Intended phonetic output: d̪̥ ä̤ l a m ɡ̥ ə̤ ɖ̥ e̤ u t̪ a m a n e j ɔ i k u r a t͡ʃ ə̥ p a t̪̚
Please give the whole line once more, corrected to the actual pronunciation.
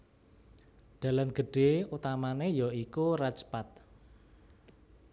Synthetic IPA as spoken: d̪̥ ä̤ l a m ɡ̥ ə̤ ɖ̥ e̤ u t̪ a m a n e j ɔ i k u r a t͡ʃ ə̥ p a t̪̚